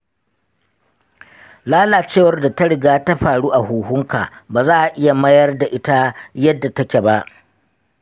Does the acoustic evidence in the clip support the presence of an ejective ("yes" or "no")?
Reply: no